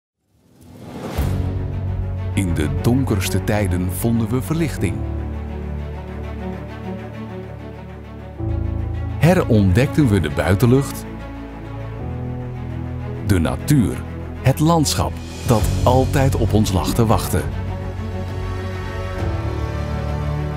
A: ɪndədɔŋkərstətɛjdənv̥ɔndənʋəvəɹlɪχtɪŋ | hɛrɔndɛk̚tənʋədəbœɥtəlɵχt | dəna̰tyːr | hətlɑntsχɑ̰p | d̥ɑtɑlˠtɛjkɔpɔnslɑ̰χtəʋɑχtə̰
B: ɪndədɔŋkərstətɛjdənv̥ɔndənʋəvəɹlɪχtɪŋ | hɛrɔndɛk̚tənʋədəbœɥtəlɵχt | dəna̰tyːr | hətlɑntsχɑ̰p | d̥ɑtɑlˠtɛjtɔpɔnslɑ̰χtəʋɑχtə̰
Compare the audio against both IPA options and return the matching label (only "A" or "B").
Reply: B